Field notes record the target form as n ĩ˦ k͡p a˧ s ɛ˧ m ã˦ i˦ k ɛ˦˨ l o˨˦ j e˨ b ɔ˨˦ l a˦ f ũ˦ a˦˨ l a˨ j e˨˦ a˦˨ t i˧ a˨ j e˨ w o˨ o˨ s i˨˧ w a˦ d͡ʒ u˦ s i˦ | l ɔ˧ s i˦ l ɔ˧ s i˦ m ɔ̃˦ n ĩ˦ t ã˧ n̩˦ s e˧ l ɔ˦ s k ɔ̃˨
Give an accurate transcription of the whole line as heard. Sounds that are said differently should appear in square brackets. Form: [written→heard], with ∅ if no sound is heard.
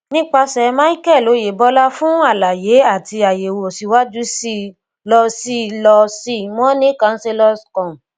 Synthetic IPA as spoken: n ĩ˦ k͡p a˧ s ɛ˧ m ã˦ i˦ k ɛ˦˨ l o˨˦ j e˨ b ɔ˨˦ l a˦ f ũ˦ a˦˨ l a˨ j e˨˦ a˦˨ t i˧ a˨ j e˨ w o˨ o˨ s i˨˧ w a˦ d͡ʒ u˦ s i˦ | l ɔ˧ s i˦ l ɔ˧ s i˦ m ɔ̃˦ n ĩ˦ [t→k] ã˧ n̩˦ s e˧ l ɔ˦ s k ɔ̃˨